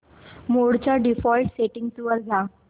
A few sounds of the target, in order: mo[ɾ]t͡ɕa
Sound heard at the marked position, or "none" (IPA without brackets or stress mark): ɽ